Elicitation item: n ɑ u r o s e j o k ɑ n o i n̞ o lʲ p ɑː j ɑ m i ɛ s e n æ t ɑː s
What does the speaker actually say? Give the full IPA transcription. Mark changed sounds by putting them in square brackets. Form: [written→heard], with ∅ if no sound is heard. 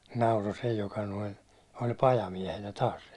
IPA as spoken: n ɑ u r o s e j o k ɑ n o i n̞ o lʲ p [ɑː→ɑ] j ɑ m i ɛ [s→h] e n æ t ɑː s